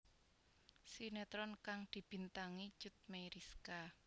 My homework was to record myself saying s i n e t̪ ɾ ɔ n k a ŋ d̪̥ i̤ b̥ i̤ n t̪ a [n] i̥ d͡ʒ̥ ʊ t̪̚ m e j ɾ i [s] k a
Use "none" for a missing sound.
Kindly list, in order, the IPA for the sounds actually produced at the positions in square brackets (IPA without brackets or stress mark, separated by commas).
ŋ, s